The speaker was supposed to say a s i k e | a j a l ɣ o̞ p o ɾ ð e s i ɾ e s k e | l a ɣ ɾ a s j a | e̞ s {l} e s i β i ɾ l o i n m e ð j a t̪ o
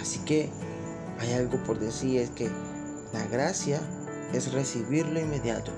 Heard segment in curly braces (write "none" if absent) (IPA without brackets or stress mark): r